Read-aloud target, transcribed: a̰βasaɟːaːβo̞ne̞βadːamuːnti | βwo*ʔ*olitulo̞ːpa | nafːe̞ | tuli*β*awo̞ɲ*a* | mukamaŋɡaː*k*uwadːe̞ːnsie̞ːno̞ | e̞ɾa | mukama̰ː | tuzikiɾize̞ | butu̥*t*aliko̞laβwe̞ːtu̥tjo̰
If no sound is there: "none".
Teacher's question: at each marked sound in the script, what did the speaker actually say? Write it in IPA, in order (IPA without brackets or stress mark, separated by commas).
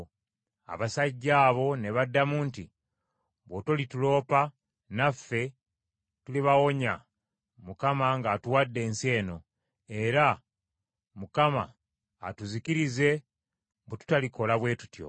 t, β, a, t, t